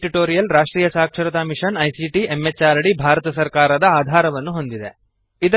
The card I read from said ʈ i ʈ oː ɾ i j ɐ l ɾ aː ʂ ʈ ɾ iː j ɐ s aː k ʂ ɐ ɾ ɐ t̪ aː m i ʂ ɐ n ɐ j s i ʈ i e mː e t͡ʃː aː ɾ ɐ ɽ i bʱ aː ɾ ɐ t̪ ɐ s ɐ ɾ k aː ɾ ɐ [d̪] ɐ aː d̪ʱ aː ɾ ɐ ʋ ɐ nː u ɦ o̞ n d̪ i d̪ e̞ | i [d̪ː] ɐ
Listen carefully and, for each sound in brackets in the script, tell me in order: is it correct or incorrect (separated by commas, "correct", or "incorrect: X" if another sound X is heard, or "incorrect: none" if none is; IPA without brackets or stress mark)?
correct, incorrect: d̪